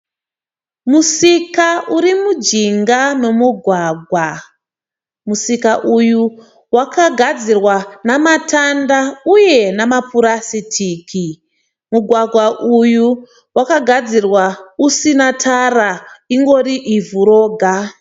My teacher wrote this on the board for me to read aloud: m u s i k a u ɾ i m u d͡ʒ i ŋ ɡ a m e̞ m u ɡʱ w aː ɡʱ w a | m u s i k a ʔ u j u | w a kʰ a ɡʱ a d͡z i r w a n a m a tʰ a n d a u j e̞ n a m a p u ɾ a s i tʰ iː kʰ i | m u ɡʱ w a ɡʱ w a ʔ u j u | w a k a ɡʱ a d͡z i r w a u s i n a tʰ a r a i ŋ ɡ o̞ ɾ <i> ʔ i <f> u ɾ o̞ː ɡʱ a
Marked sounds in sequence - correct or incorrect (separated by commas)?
correct, incorrect